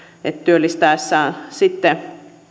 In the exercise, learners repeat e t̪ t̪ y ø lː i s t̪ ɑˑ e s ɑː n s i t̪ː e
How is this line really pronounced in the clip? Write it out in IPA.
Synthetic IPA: e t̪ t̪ y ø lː i s t̪ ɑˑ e sː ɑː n s i t̪ː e